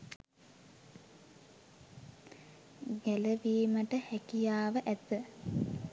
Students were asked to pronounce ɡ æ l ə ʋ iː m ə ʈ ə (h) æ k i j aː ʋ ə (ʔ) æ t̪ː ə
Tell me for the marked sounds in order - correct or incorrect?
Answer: correct, correct

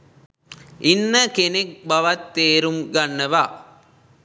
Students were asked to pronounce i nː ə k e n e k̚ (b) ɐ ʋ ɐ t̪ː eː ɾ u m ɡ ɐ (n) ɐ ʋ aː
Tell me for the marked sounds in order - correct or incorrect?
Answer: correct, incorrect

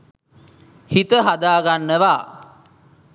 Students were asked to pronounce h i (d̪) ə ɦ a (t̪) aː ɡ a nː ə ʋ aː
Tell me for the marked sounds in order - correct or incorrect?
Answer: incorrect, incorrect

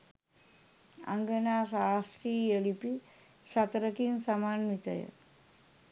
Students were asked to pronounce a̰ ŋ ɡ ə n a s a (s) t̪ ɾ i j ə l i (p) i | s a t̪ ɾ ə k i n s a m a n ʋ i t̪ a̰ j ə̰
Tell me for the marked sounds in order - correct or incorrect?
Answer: correct, correct

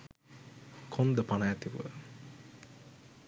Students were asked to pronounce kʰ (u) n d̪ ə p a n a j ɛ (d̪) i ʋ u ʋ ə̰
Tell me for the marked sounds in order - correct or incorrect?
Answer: incorrect, incorrect

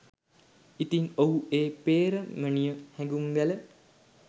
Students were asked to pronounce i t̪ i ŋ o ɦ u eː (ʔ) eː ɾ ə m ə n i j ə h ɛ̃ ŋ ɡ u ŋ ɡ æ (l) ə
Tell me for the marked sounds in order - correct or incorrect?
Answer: incorrect, correct

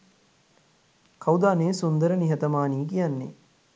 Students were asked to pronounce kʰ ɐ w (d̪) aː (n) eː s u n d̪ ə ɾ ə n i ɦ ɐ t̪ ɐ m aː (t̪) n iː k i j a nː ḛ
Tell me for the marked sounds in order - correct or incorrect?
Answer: correct, correct, incorrect

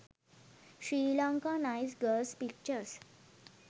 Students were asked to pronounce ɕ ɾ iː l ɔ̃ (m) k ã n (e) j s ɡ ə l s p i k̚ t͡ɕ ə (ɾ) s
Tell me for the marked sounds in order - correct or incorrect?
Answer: incorrect, incorrect, correct

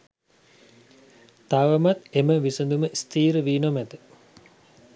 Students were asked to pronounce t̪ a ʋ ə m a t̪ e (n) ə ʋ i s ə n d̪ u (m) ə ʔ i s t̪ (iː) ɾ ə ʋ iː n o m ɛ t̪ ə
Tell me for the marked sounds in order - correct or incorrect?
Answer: incorrect, correct, correct

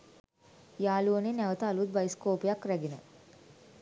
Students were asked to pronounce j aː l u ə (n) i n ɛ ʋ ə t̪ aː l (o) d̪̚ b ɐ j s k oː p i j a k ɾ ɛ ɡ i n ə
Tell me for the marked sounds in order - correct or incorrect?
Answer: correct, incorrect

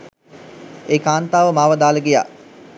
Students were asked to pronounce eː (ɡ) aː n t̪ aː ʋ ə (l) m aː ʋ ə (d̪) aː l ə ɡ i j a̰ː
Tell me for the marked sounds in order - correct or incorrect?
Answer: incorrect, incorrect, correct

